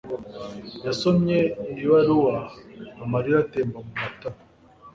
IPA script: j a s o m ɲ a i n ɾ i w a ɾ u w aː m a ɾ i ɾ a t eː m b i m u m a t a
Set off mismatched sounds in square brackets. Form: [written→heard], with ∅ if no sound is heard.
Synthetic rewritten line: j a s o m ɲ [a→e] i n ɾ i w a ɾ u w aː m a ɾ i ɾ a t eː m b [i→a] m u m a t a